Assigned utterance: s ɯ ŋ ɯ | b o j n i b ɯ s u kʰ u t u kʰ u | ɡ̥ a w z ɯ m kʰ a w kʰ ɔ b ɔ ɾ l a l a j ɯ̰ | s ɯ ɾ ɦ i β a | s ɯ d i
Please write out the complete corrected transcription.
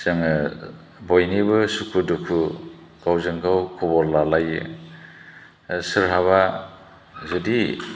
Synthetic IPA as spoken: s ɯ ŋ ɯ | b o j n i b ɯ s u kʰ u d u kʰ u | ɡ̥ a w z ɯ ŋ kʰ a w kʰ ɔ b ɔ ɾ l a l a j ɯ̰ | s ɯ ɾ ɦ a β a | z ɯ d i